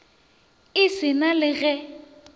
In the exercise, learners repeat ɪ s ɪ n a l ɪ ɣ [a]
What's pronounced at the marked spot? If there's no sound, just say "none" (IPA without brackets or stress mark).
ɛ